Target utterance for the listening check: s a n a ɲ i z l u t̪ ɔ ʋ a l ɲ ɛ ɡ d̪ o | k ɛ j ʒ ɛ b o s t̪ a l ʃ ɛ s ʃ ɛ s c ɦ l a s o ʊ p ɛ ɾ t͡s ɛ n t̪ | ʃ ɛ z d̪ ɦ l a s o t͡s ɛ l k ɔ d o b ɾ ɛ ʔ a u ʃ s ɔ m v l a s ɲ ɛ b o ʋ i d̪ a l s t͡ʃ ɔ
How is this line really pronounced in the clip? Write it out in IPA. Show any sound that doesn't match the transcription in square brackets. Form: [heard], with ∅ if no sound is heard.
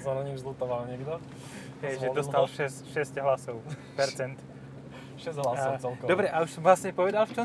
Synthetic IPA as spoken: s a n a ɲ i z l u t̪ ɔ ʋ a l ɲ ɛ ɡ d̪ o | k ɛ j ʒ ɛ [d] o s t̪ a l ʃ ɛ s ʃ ɛ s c ɦ l a s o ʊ p ɛ ɾ t͡s ɛ n t̪ | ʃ ɛ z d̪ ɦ l a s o t͡s ɛ l k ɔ d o b ɾ ɛ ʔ a u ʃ s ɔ m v l a s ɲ ɛ [p] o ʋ [ɛ] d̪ a l [f] t͡ʃ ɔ